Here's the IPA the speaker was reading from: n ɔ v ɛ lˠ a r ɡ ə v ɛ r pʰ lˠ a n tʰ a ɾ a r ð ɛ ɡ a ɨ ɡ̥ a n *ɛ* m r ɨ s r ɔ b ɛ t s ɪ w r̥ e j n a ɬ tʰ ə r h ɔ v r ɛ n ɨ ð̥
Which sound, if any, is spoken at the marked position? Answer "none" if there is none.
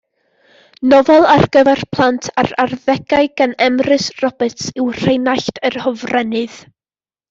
ɛ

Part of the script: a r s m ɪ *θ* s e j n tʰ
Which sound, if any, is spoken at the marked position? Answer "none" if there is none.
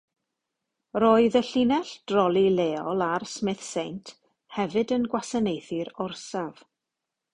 θ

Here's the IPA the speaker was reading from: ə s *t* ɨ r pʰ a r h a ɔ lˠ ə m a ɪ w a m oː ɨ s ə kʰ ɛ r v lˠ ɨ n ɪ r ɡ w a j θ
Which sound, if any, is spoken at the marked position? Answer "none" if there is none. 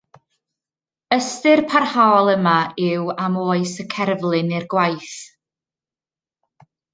t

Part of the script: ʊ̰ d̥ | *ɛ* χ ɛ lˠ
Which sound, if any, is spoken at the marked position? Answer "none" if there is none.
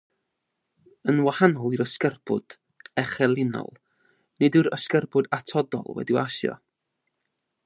ɛ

